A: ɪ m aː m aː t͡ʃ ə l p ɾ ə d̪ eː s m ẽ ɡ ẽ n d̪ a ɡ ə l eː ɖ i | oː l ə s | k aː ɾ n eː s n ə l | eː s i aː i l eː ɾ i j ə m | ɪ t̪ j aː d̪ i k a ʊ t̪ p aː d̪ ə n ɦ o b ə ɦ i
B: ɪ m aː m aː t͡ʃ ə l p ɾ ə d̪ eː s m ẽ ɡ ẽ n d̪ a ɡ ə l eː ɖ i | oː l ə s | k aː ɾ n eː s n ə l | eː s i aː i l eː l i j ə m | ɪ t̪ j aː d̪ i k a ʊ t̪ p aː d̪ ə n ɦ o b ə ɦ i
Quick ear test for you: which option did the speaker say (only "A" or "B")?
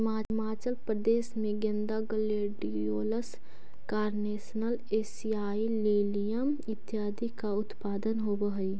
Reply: B